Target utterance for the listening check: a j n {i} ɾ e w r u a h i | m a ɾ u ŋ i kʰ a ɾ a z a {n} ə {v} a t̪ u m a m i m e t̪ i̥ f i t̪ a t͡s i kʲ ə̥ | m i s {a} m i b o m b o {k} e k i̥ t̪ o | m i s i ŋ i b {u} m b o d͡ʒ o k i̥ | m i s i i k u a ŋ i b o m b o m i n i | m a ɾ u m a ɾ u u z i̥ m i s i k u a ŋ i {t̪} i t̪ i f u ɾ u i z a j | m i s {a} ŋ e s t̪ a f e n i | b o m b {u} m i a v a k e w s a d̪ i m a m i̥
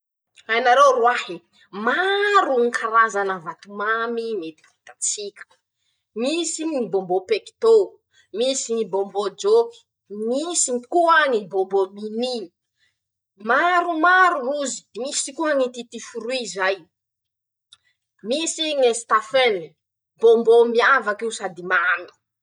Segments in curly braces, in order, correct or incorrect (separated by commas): incorrect, correct, correct, incorrect, incorrect, incorrect, correct, incorrect, incorrect